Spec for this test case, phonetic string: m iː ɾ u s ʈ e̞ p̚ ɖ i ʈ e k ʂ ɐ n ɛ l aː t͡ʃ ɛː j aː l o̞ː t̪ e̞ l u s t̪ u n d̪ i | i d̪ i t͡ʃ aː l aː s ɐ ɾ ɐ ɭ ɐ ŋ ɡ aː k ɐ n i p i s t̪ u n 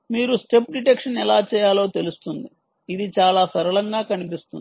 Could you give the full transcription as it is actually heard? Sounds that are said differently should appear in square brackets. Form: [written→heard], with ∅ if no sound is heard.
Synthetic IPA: m iː ɾ u s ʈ e̞ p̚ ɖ i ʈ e k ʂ ɐ n ɛ l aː t͡ʃ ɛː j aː l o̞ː t̪ e̞ l u s t̪ u n d̪ i | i d̪ i t͡ʃ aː l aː s ɐ ɾ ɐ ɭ ɐ ŋ ɡ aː k ɐ n i p i s t̪ u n